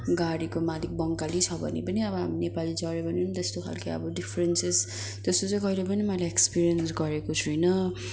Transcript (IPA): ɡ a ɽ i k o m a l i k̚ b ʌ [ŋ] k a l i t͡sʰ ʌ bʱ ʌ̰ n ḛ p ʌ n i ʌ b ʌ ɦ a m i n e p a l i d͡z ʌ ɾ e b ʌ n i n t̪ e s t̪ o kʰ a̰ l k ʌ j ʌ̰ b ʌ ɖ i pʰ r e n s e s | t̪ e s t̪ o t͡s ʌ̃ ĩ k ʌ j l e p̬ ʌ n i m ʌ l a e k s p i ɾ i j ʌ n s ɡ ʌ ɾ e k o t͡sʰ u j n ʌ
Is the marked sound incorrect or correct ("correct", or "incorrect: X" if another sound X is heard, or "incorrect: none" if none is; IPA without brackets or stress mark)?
correct